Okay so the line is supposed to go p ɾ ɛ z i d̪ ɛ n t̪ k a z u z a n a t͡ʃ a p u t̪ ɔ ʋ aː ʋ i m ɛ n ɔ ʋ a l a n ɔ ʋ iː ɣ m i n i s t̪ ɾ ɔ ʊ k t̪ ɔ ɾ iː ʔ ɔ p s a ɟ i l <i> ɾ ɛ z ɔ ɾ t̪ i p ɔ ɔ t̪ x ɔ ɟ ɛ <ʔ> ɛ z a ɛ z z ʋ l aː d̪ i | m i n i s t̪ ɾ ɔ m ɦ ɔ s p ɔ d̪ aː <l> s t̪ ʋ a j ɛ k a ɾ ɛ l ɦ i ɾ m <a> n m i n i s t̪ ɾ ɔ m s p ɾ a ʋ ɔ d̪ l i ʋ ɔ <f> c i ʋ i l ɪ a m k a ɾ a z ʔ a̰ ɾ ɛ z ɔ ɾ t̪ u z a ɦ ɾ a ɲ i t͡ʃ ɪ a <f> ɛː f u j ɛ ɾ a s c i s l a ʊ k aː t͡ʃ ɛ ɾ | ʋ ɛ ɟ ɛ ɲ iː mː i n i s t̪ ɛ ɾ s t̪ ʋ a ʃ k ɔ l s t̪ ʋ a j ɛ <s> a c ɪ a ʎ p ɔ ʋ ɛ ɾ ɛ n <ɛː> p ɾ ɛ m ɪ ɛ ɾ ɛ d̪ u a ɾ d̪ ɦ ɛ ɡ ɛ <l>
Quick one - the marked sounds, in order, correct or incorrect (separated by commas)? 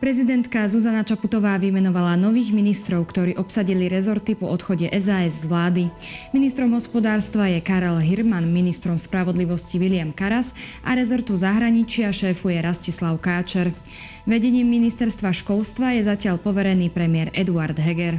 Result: correct, correct, incorrect, correct, incorrect, incorrect, incorrect, incorrect, incorrect